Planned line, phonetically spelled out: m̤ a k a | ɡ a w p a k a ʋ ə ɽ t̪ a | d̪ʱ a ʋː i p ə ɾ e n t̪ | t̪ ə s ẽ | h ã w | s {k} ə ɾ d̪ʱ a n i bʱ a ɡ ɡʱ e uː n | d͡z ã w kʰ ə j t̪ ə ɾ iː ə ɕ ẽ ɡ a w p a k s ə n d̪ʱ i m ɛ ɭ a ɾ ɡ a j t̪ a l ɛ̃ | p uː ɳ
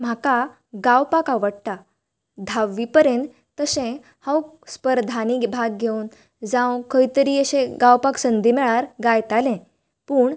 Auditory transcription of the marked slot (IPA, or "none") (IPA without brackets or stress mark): p